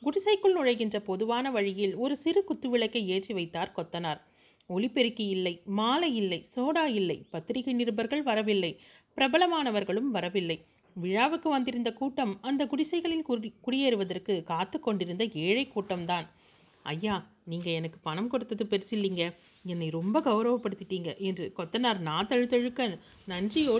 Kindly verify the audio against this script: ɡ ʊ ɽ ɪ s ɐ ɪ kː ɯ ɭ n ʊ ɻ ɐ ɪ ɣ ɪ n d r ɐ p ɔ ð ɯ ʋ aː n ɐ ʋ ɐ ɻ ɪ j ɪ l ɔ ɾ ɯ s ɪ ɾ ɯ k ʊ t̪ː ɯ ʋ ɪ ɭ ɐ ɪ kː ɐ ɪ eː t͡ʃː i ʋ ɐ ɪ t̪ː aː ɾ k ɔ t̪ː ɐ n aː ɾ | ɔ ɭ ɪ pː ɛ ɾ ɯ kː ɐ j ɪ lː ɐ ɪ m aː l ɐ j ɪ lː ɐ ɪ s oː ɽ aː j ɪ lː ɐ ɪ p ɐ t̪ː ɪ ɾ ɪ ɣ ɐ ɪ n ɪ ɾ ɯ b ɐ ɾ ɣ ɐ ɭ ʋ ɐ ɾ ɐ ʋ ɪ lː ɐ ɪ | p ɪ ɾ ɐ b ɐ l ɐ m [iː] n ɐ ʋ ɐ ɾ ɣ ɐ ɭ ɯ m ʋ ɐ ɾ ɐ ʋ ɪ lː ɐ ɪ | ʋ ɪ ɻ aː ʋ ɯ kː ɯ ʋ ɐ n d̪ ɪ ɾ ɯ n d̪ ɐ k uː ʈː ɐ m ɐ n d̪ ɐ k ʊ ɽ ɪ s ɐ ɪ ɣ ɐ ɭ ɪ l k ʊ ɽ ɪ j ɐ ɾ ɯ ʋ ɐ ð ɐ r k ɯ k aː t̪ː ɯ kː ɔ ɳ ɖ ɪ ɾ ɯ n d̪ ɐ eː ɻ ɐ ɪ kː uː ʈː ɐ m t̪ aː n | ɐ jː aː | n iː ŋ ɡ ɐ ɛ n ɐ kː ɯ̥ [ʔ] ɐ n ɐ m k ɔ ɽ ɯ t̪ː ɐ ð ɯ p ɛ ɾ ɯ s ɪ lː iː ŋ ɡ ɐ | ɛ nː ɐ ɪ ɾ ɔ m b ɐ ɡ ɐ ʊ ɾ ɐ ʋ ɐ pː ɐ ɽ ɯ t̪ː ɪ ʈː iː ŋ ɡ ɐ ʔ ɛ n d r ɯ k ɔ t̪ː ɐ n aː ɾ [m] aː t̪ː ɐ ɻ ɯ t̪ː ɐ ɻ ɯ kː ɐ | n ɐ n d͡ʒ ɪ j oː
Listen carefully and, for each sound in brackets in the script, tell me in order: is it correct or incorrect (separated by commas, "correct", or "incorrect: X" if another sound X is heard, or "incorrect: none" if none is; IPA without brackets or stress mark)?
incorrect: aː, incorrect: p, incorrect: n